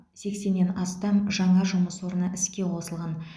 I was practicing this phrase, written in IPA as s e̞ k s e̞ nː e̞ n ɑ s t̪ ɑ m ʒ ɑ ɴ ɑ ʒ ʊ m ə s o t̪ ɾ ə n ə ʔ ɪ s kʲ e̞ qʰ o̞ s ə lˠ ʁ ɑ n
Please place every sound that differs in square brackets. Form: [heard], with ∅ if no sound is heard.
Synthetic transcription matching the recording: s e̞ k s e̞ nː e̞ n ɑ s t̪ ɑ m ʒ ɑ ɴ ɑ ʒ ʊ m ə s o [∅] ɾ ə n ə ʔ ɪ s kʲ e̞ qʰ o̞ s ə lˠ ʁ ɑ n